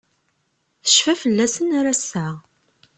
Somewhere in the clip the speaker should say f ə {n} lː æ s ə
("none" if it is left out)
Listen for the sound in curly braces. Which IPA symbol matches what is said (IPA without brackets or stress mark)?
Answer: none